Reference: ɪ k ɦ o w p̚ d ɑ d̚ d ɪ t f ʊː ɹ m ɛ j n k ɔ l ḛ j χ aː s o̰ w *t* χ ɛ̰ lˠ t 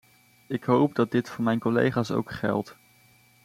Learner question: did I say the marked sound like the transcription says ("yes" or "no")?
no